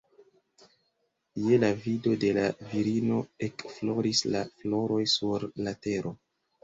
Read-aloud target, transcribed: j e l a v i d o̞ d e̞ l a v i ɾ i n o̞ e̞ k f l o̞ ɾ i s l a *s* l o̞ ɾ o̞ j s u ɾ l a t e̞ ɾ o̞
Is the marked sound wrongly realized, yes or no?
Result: yes